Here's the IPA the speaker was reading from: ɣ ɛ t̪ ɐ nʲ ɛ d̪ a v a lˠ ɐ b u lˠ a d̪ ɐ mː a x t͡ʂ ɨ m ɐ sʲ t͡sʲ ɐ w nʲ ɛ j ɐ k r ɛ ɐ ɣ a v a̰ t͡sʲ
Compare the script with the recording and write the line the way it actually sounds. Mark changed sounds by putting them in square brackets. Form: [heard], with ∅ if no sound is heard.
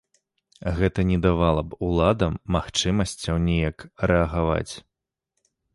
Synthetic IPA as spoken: ɣ ɛ t̪ ɐ nʲ ɛ d̪ a v a lˠ ɐ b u lˠ a d̪ ɐ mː a x t͡ʂ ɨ m ɐ sʲ t͡sʲ ɐ w nʲ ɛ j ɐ k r ɛ ɐ ɣ a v a̰ t͡sʲ